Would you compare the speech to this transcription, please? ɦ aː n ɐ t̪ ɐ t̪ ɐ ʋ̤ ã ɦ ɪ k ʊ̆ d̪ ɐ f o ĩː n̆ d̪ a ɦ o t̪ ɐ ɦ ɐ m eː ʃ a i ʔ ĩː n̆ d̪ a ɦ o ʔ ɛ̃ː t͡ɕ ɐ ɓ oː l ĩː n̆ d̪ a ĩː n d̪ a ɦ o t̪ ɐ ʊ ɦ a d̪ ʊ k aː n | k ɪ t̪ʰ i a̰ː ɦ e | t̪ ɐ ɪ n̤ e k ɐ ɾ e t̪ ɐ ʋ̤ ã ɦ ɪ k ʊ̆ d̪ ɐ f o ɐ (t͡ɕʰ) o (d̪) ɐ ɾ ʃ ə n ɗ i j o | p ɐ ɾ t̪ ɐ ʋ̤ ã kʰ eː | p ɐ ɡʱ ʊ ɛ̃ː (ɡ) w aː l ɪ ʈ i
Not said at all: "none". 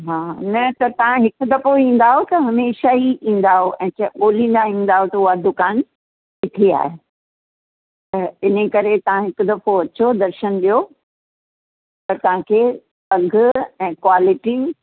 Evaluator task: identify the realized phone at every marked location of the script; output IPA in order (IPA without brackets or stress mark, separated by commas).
t͡ɕ, d̪, k